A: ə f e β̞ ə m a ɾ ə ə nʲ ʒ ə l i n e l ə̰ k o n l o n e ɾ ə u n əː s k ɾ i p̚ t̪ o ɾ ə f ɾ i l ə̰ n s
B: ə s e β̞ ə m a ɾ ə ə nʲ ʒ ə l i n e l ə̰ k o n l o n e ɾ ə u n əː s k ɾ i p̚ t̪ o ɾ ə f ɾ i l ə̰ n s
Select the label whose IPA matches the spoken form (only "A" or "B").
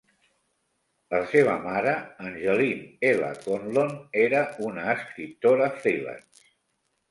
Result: B